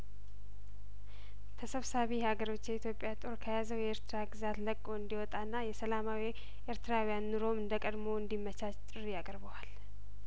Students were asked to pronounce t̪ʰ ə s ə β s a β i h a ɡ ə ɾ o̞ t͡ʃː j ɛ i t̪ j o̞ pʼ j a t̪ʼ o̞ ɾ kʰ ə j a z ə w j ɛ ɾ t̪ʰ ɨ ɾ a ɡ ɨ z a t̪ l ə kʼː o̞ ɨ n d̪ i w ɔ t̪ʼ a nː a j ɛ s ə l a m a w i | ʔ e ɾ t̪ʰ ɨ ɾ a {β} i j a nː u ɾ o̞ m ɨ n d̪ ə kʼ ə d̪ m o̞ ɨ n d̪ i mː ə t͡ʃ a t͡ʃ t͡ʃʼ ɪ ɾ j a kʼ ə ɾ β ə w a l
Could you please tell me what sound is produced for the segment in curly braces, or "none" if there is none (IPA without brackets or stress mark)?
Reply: w